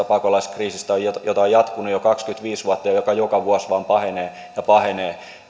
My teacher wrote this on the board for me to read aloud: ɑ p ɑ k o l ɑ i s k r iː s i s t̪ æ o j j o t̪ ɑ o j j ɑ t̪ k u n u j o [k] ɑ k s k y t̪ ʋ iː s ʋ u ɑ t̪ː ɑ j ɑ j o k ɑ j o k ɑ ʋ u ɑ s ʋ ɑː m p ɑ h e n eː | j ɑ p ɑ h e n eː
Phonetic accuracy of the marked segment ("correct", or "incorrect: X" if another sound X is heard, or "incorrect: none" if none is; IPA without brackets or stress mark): correct